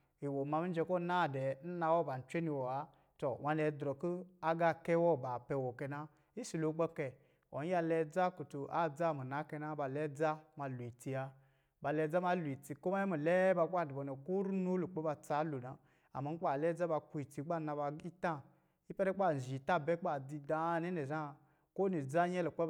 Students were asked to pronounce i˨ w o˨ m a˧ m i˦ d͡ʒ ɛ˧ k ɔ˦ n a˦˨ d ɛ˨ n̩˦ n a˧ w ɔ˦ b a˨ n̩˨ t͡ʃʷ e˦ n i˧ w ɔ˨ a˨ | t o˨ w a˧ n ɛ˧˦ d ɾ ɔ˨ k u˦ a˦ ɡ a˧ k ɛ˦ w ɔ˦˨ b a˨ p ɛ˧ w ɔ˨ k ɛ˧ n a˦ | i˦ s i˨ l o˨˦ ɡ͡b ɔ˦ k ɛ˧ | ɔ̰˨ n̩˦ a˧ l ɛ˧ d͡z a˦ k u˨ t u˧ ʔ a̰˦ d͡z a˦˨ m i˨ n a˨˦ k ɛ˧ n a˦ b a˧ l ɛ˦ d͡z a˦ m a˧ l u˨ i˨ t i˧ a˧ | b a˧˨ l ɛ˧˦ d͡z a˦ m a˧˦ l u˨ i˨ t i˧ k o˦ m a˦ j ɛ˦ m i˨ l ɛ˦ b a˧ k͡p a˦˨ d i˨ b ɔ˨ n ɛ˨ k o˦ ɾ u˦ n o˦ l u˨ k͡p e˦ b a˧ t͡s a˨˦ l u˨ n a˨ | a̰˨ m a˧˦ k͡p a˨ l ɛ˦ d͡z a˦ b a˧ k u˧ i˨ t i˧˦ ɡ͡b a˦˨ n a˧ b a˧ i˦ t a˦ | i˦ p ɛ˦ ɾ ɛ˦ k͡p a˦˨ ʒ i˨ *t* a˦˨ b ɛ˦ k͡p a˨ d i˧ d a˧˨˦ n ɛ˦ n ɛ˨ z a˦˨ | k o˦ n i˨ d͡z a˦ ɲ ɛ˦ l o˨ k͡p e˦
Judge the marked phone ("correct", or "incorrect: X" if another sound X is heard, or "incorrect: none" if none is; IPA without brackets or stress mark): correct